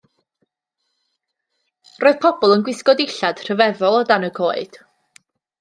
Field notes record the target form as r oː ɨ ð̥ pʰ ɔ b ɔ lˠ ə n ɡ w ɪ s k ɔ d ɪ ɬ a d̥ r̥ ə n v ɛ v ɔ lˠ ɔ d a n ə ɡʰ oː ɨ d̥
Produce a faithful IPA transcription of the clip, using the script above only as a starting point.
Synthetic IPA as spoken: r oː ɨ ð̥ pʰ ɔ b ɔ lˠ ə n ɡ w ɪ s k ɔ d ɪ ɬ a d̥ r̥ ə v ɛ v ɔ lˠ ɔ d a n ə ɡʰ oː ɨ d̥